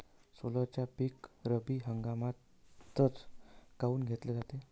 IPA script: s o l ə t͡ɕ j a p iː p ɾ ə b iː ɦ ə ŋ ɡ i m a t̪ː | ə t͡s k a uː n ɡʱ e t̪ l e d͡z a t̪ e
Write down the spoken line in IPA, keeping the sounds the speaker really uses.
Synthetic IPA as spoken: s o l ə t͡ɕ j a p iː k ɾ ə b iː ɦ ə ŋ ɡ a m a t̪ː | ə t͡s k a uː n ɡʱ e t̪ l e d͡z a t̪ e